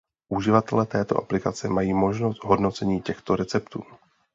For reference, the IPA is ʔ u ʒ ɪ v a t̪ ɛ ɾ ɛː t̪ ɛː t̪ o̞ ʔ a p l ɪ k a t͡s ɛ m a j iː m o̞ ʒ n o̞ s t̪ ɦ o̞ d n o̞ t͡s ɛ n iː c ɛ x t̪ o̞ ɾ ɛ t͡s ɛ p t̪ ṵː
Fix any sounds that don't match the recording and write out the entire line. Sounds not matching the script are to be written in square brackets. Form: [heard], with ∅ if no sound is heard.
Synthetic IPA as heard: ʔ u ʒ ɪ v a t̪ ɛ [l] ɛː t̪ ɛː t̪ o̞ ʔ a p l ɪ k a t͡s ɛ m a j iː m o̞ ʒ n o̞ s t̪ ɦ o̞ d n o̞ t͡s ɛ [ɲ] iː c ɛ x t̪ o̞ ɾ ɛ t͡s ɛ p t̪ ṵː